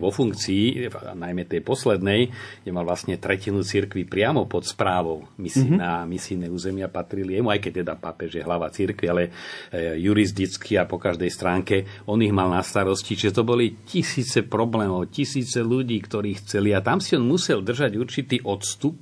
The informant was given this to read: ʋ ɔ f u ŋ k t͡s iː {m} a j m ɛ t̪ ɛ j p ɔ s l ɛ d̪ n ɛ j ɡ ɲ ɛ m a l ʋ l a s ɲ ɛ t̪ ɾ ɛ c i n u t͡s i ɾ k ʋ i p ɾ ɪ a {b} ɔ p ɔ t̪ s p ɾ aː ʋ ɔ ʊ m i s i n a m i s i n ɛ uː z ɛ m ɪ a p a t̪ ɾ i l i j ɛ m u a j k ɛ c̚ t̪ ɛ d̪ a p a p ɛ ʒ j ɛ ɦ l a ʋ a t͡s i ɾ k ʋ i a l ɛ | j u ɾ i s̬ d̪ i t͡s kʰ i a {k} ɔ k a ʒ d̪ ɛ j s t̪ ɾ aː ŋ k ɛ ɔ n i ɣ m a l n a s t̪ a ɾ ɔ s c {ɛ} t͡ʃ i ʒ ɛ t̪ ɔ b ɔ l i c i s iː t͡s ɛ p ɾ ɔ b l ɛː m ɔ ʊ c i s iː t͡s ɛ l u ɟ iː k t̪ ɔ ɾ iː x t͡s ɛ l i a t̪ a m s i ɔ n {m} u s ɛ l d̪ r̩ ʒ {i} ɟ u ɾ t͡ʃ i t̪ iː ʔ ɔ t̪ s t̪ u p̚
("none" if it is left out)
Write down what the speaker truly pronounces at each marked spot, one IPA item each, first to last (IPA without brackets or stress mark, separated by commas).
n, m, p, i, m, a